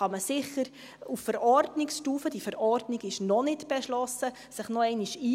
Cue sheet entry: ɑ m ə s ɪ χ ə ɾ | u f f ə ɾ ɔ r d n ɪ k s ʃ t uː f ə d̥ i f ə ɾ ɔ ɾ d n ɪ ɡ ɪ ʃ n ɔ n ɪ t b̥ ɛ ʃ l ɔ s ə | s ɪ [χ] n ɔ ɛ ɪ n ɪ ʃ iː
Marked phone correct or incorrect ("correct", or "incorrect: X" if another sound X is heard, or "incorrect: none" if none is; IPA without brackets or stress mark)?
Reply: correct